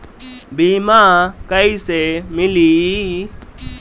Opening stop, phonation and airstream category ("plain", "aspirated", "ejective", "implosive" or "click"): plain